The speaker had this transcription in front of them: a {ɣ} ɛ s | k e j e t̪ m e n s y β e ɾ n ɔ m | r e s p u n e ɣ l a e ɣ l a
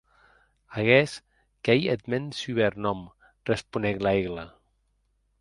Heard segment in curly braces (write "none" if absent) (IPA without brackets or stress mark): ɣ